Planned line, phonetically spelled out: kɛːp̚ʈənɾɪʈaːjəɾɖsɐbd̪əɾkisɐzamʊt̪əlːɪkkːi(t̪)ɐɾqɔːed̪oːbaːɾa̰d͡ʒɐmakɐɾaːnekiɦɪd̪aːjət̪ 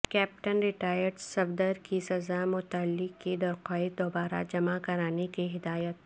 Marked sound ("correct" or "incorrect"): incorrect